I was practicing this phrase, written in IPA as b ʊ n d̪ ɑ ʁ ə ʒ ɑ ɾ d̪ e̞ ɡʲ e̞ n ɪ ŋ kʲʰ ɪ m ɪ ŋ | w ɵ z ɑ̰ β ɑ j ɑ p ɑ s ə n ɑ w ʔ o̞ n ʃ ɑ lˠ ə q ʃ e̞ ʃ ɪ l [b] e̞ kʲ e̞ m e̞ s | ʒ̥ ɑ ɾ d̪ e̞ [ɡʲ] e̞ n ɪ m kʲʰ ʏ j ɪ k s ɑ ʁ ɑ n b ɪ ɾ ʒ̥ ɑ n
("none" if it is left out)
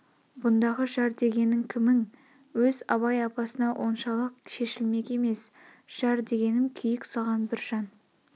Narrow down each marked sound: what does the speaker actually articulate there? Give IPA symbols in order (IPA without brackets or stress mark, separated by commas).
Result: m, ɡʲ